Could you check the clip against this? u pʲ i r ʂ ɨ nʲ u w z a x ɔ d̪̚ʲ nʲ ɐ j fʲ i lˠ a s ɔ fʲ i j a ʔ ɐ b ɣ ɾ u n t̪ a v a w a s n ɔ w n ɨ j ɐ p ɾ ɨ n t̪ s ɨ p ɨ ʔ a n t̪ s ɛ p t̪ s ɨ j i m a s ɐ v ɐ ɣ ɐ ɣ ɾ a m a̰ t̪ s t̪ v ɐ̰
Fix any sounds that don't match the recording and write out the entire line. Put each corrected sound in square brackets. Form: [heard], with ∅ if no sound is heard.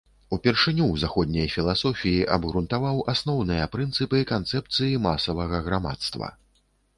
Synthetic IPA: u pʲ [ɛ] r ʂ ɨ nʲ u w z a x ɔ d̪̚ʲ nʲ ɐ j fʲ i lˠ a s ɔ fʲ i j [i] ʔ ɐ b ɣ ɾ u n t̪ a v a w a s n ɔ w n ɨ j ɐ p ɾ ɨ n t̪ s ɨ p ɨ [k] a n t̪ s ɛ p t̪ s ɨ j i m a s ɐ v ɐ ɣ ɐ ɣ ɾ a m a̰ t̪ s t̪ v ɐ̰